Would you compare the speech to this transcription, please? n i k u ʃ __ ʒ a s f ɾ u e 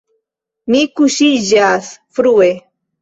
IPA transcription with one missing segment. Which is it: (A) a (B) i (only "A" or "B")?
B